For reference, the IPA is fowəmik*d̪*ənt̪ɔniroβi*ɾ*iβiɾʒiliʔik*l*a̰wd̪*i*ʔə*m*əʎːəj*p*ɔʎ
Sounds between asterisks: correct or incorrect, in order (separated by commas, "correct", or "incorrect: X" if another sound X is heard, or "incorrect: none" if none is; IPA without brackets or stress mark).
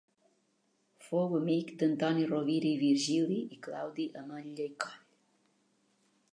correct, correct, correct, correct, correct, incorrect: k